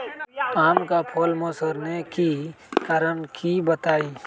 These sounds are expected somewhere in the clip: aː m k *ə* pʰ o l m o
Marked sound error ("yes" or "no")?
yes